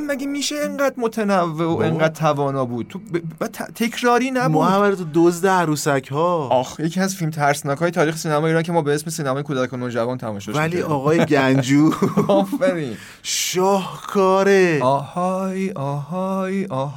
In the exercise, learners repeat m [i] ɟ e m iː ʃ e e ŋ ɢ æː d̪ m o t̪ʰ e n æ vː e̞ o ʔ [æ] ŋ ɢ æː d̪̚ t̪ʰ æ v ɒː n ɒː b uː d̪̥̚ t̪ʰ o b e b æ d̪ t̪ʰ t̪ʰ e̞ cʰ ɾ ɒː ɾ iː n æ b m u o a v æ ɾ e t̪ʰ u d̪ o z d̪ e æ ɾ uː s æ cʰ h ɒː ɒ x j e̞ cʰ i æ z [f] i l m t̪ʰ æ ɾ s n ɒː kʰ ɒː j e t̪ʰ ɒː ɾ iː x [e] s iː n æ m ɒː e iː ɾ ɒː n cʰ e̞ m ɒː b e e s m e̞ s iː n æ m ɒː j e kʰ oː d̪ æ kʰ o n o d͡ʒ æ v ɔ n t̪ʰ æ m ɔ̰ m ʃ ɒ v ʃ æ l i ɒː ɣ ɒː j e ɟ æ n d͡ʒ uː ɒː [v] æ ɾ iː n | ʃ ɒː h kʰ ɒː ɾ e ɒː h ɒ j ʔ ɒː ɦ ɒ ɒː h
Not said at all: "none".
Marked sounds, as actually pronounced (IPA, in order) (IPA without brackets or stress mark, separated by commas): æ, e, f, e, f